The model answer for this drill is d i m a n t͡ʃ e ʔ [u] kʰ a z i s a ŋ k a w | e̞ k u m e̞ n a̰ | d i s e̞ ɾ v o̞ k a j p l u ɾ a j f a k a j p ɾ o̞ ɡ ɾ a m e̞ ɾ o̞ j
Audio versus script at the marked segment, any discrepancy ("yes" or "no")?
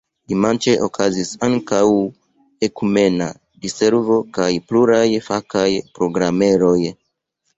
yes